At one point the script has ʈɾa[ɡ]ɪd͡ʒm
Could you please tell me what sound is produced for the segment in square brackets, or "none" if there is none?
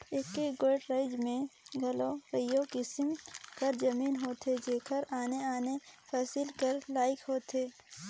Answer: none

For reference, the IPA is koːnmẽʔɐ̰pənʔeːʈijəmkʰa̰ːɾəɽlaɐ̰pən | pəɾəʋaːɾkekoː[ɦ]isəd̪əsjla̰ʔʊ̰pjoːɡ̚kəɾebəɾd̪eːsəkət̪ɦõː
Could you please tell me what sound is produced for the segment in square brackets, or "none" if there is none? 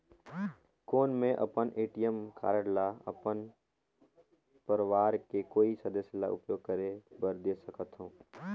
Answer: none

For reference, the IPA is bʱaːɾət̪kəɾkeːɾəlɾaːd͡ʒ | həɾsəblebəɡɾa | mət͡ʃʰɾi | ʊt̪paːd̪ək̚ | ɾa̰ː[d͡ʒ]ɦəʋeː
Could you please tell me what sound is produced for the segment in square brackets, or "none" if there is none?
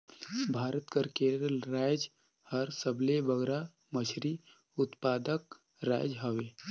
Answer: d͡ʒ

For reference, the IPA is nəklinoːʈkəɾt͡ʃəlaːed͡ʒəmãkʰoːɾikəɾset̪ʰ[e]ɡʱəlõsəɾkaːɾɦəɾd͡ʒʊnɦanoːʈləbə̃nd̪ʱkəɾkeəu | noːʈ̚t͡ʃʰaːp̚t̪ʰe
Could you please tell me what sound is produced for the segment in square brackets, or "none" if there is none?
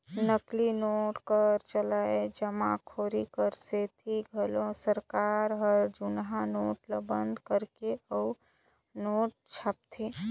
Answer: i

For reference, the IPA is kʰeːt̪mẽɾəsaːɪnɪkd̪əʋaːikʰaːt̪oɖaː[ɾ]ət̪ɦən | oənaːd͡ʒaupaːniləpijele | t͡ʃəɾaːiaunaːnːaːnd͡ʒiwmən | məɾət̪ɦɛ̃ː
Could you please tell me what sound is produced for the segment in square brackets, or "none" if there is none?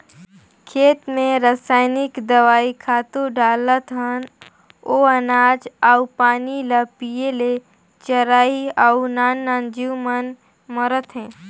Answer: l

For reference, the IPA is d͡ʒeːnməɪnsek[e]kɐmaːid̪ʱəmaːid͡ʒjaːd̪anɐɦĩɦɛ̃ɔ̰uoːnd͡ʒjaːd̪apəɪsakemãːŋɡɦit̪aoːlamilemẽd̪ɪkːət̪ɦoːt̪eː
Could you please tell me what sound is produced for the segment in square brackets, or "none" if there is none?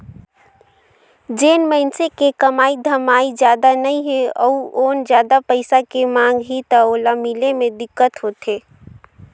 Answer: e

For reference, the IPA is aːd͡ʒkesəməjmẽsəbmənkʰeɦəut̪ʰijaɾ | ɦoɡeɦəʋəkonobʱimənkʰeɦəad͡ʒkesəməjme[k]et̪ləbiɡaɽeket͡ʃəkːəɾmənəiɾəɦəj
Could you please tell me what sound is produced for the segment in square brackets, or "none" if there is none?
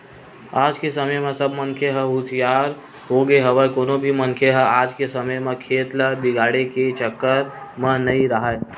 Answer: kʰ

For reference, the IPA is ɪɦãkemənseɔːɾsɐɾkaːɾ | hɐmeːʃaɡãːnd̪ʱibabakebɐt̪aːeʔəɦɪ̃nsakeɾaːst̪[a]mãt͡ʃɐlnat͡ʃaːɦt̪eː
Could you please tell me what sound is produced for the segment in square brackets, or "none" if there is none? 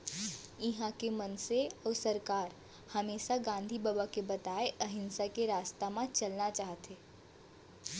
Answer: a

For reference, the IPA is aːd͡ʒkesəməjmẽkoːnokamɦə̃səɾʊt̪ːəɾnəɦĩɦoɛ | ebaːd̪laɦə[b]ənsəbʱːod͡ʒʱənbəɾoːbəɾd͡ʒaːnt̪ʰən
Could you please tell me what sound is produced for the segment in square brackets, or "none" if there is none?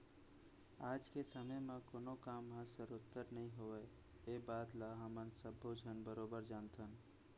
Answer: m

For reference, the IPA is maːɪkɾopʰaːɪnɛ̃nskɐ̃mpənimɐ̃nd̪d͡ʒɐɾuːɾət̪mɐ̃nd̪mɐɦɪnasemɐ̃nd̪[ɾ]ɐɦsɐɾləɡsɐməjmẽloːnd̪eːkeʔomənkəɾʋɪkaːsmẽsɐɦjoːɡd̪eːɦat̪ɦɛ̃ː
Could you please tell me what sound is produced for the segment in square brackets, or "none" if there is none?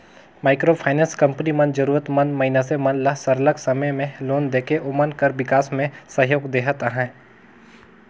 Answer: l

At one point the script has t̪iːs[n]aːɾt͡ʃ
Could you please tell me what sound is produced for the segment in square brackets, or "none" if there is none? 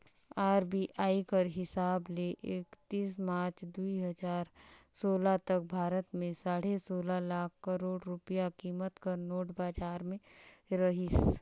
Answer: m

